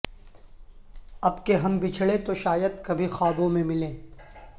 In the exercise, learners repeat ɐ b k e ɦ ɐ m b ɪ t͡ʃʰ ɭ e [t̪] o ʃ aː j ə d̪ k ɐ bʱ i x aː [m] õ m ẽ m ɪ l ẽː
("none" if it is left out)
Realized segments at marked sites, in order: t̪, b

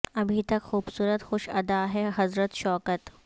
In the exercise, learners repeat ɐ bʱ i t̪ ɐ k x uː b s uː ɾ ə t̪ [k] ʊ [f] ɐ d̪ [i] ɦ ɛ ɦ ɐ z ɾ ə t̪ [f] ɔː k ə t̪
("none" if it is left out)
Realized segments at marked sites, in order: x, ʃ, a, ʃ

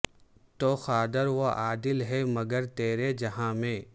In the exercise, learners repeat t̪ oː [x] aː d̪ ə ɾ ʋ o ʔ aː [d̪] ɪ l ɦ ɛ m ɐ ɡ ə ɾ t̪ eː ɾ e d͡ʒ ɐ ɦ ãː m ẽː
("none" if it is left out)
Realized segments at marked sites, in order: x, d̪

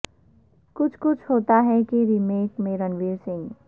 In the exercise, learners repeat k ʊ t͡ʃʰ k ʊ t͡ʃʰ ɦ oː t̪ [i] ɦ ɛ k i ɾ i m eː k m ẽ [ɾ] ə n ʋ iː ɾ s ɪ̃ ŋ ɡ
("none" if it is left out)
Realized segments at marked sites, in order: a, ɾ

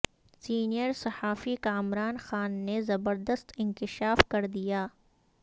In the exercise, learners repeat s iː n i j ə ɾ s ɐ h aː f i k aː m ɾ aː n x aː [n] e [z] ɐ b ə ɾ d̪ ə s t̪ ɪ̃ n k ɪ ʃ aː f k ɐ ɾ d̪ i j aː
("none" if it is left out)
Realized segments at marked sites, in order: nː, z

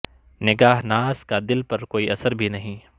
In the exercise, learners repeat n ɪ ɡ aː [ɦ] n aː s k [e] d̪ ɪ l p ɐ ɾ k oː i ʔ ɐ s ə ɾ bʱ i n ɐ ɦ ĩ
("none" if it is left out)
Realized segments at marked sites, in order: ɦ, a

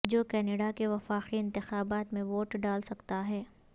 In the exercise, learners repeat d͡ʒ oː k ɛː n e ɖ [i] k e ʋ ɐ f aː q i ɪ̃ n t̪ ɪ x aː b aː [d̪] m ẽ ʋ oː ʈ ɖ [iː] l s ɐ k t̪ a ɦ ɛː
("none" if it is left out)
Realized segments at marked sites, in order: a, t̪, aː

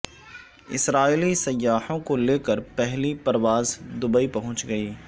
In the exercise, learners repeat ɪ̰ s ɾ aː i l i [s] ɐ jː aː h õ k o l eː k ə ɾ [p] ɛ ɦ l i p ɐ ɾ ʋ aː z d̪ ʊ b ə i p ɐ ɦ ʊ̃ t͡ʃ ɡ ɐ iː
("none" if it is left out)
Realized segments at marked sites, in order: s, p

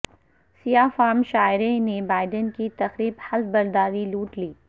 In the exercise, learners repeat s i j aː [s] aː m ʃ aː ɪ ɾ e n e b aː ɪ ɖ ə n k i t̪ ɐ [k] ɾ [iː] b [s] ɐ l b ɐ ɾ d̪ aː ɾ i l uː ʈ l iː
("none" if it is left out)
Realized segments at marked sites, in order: f, x, iː, h

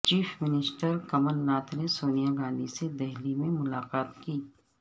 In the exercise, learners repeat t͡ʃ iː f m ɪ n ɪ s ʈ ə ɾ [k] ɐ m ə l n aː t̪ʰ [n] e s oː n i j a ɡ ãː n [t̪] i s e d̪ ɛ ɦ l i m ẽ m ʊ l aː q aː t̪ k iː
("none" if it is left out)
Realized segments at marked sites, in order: k, n, d̪

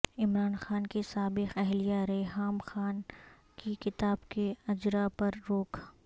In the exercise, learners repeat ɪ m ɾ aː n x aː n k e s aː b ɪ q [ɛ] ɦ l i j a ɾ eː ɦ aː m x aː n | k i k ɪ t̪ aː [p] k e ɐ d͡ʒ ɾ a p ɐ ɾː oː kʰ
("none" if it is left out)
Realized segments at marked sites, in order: ɛ, b

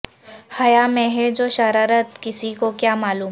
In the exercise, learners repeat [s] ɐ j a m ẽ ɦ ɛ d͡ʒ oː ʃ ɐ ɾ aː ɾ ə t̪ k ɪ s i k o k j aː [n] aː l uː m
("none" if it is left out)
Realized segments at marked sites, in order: h, m

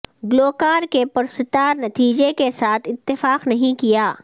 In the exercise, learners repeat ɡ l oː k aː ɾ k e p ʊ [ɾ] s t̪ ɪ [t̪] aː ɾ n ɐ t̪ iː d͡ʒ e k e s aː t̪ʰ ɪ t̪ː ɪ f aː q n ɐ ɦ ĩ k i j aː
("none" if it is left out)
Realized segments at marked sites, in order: ɾ, t̪

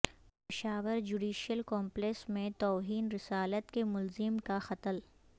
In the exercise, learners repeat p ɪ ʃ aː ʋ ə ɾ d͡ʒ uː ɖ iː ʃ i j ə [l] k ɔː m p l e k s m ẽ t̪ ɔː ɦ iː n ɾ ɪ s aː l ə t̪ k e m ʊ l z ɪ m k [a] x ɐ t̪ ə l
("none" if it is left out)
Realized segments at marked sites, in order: l, a

